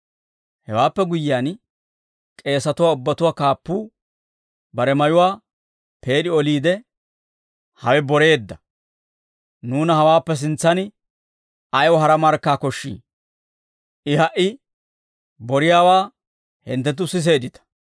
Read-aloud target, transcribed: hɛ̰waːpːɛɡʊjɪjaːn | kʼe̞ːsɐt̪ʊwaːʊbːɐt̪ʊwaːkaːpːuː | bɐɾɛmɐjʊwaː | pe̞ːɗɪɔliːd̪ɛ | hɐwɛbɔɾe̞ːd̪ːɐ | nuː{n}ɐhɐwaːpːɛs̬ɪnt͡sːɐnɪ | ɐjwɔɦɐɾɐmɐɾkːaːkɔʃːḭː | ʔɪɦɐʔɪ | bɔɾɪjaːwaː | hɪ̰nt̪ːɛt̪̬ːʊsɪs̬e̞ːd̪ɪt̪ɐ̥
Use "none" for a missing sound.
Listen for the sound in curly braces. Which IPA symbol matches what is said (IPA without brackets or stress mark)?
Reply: n